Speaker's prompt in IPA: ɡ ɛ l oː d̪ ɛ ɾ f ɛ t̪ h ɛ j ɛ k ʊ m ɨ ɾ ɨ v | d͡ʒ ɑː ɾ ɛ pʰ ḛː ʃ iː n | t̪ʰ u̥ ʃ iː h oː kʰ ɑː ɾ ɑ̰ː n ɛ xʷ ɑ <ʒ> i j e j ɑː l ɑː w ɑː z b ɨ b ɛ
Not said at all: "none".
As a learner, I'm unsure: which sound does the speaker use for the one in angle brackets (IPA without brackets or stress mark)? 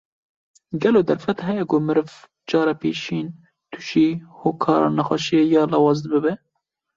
ʃ